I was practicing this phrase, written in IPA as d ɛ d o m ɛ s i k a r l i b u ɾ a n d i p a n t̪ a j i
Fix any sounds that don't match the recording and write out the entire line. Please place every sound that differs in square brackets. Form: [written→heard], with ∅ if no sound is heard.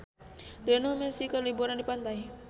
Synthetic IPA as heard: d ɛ [d→n] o m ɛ s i k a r l i b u ɾ a n d i p a n t̪ a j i